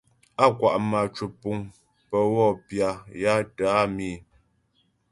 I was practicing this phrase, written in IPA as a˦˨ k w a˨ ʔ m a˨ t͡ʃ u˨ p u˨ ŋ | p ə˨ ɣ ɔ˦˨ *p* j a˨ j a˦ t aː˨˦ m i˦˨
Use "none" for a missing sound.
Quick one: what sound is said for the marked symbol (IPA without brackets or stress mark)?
p